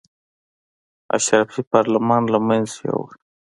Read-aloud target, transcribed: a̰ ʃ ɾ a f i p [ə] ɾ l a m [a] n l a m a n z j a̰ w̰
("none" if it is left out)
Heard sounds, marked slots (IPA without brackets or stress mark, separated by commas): ɑ, ɑ